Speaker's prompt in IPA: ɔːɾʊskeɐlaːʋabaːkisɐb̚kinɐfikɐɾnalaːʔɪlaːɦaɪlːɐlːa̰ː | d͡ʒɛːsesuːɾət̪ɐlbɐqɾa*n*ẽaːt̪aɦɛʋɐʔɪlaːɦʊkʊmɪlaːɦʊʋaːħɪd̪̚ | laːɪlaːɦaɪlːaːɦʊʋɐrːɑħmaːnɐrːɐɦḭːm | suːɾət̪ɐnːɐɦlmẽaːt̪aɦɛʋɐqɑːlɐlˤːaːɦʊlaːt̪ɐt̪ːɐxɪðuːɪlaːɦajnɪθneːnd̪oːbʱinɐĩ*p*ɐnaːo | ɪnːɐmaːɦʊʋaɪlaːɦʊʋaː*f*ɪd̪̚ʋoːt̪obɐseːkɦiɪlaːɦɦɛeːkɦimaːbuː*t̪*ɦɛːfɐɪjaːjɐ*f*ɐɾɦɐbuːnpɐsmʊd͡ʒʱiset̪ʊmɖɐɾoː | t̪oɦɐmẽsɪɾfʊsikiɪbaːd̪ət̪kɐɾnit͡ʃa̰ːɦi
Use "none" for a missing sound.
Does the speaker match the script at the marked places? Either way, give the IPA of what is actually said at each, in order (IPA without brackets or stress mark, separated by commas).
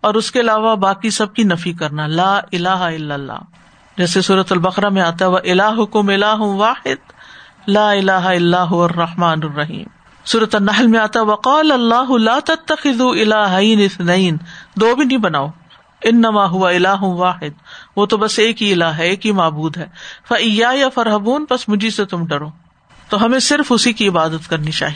m, b, ħ, d̪, f